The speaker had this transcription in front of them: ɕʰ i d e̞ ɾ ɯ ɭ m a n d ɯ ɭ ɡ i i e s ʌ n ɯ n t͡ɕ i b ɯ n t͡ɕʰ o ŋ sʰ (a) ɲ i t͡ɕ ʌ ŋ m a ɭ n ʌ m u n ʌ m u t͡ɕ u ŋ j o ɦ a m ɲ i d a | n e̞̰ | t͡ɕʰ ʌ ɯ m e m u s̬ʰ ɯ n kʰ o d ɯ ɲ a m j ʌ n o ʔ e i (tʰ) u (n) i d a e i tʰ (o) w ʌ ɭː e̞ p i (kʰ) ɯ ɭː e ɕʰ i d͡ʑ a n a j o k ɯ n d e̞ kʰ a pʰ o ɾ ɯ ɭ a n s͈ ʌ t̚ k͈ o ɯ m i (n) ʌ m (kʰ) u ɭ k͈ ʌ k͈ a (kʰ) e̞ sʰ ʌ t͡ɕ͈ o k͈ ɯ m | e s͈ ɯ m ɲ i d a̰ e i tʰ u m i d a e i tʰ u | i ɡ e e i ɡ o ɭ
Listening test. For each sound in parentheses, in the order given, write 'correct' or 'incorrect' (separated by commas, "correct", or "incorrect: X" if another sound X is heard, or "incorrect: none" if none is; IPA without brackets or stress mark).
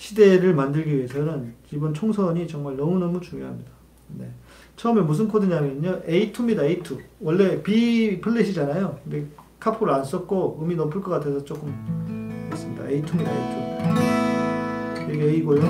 incorrect: ʌ, correct, incorrect: m, incorrect: u, incorrect: pʰ, correct, incorrect: pʰ, incorrect: tʰ